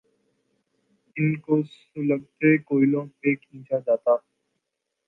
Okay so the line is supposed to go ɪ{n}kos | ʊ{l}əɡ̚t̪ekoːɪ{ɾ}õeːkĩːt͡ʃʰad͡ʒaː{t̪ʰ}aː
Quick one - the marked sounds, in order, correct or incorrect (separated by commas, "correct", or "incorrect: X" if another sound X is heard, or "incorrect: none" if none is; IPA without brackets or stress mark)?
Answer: correct, correct, incorrect: l, incorrect: t̪